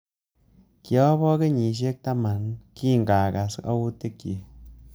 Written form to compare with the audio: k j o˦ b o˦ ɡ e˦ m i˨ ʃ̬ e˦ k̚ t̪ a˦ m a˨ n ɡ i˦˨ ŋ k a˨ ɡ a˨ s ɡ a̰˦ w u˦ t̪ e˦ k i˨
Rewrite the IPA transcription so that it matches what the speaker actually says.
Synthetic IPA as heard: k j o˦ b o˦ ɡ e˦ ɲ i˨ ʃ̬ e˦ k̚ t̪ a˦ m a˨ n k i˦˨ ŋ ɡ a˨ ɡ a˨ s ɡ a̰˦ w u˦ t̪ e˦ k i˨